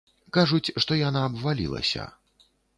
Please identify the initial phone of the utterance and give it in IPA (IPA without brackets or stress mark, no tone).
k